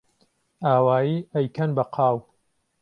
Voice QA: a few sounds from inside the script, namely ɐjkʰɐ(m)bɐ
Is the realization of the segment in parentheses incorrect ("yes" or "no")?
yes